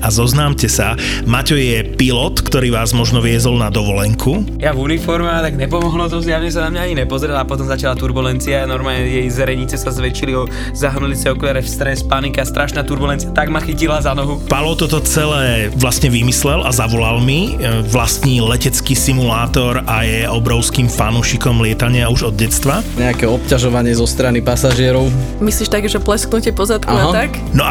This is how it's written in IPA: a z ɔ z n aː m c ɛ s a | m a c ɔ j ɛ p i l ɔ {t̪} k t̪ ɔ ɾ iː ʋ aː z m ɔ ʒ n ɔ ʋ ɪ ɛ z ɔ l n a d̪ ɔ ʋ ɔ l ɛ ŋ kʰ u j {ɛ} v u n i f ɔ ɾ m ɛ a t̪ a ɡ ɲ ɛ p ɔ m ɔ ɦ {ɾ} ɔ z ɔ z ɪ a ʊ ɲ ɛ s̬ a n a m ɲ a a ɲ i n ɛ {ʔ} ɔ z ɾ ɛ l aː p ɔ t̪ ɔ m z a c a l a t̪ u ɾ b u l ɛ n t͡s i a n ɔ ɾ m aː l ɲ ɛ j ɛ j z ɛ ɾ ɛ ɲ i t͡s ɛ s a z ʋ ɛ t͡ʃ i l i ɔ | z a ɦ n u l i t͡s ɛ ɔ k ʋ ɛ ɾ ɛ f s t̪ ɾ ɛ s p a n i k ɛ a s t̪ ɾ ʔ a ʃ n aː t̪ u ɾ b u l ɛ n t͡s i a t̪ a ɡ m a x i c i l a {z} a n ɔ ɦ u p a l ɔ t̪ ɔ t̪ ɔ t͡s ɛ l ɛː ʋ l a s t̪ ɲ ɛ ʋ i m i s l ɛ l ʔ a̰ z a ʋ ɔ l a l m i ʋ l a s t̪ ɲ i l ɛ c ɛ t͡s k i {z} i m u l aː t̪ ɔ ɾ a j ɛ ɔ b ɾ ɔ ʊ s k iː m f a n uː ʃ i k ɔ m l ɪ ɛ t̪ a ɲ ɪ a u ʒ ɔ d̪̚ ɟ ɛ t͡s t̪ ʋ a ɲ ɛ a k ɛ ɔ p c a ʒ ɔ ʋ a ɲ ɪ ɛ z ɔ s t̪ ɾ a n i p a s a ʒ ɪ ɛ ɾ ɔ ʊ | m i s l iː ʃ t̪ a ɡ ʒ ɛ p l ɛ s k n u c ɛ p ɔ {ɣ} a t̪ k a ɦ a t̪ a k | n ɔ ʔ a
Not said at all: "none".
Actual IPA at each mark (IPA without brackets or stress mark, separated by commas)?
t̪, a, l, p, z, s, z